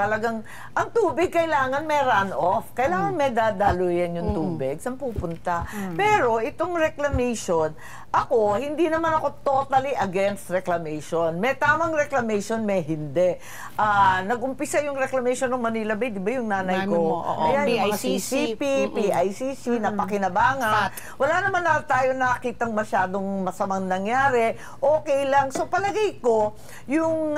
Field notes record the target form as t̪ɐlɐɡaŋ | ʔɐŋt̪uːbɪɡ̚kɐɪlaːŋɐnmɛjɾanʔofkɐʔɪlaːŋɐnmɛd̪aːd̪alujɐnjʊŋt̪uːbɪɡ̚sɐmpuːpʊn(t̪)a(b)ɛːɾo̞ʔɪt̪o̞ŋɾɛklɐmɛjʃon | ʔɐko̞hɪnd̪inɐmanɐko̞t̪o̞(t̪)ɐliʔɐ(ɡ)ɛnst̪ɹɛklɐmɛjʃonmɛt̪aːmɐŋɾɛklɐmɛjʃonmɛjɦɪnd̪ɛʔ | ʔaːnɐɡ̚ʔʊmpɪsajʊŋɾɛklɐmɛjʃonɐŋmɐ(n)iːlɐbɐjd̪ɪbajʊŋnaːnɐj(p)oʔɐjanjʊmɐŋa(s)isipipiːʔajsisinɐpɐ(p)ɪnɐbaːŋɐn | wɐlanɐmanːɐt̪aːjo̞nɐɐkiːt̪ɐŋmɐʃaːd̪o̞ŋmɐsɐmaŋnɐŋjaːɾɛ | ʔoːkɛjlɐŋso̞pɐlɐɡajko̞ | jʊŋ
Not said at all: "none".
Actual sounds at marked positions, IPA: t̪, p, t̪, ɡ, n, k, s, k

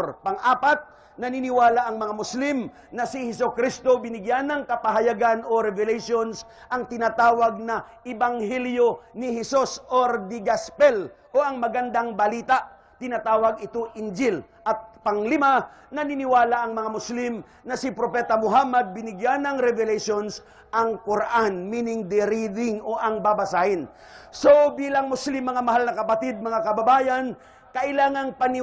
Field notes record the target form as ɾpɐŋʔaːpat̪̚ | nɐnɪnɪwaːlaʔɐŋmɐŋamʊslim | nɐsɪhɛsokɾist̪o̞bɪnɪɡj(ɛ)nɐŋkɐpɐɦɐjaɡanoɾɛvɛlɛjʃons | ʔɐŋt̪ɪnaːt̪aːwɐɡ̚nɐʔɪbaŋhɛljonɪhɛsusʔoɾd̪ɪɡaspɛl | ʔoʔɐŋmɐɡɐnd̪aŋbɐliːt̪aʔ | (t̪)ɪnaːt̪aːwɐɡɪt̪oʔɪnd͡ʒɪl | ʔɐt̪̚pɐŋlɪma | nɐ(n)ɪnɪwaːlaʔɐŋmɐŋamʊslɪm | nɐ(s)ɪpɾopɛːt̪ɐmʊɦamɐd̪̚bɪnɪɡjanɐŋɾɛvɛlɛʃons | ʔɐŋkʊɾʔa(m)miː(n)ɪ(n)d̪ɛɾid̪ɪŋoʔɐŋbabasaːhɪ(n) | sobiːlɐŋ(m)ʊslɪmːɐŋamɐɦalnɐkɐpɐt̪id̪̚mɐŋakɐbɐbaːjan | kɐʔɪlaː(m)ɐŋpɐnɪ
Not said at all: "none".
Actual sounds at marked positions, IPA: a, t̪, n, s, n, n, ŋ, n, m, ŋ

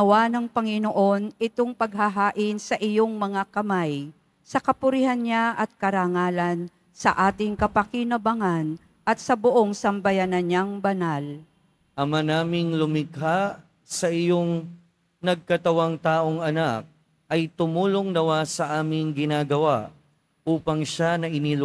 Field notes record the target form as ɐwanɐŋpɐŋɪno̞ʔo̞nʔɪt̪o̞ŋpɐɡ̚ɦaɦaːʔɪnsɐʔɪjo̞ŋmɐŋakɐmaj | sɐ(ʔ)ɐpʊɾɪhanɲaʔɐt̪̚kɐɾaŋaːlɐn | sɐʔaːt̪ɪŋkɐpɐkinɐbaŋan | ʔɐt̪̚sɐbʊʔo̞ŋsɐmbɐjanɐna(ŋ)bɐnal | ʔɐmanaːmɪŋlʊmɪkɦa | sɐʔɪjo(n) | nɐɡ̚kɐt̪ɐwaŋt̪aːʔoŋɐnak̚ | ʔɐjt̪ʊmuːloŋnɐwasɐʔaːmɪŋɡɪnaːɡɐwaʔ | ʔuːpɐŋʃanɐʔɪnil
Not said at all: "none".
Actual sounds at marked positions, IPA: k, ŋ, ŋ

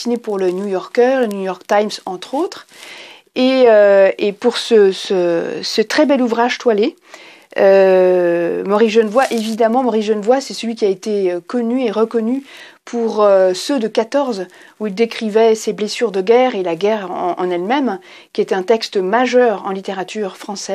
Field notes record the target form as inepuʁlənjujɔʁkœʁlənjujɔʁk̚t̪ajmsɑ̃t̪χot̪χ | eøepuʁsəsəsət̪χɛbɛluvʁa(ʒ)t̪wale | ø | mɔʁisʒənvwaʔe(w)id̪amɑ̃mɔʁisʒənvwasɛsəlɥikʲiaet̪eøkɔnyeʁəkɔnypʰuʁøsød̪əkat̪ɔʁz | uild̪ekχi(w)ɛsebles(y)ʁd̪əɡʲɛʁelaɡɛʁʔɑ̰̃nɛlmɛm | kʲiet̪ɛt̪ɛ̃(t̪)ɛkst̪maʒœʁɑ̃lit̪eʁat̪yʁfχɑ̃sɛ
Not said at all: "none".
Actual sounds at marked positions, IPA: ʒ, v, v, y, t̪

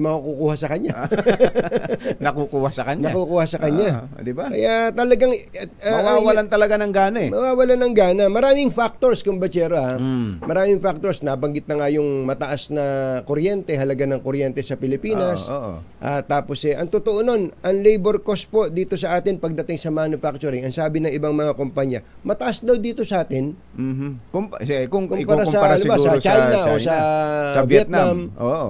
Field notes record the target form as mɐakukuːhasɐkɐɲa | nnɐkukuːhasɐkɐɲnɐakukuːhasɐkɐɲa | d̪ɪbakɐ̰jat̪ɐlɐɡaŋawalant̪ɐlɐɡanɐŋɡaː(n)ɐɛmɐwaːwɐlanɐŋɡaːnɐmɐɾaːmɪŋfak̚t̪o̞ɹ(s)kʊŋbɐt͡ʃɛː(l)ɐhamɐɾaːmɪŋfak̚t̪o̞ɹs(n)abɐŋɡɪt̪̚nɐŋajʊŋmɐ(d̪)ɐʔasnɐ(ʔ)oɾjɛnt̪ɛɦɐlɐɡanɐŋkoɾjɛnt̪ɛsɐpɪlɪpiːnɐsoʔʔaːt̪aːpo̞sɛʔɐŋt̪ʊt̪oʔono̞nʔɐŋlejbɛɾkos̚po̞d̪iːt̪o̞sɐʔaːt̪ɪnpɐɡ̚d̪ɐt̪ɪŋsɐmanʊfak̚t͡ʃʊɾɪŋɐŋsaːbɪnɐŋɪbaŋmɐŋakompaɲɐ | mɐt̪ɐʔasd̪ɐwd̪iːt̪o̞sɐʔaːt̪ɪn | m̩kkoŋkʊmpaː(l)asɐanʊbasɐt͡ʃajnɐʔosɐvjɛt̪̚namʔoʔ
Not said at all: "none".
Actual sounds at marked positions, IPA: n, s, ɾ, n, t̪, k, ɾ

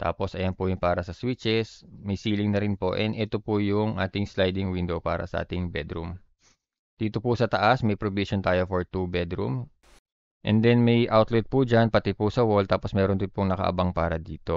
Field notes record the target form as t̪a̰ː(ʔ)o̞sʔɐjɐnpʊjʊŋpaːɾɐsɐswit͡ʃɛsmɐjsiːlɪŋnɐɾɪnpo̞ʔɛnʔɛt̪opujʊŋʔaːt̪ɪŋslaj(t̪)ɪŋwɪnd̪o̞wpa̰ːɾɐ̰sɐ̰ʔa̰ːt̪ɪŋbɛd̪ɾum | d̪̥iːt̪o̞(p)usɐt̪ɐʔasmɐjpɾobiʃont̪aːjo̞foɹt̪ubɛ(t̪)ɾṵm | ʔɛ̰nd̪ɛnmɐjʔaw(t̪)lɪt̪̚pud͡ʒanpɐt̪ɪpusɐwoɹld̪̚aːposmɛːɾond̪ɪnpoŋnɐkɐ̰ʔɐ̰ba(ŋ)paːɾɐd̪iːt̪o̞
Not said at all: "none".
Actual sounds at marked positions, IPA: p, d̪, p, d̪, t̪, ŋ

